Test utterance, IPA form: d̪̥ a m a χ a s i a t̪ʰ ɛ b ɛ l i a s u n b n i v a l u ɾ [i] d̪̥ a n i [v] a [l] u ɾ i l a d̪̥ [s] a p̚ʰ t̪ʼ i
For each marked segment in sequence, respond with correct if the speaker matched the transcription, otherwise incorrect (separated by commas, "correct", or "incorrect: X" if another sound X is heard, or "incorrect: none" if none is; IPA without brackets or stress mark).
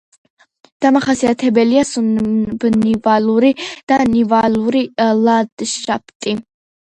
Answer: correct, correct, correct, incorrect: ʃ